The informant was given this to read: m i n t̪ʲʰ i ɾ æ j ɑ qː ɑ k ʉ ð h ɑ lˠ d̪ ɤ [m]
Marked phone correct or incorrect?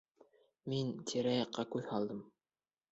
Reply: correct